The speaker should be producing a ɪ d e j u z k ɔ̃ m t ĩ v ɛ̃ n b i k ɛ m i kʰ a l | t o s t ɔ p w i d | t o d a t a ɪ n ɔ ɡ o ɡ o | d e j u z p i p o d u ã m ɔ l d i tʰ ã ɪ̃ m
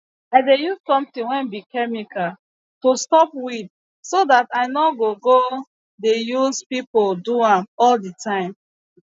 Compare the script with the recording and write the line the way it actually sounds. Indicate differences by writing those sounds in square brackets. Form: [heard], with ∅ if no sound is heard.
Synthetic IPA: a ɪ d e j u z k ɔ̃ m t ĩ [w] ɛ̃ n b i k ɛ m i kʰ a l | t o s t ɔ p w i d | [s] o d a t a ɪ n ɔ ɡ o ɡ o | d e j u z p i p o d u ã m ɔ l d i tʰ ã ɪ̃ m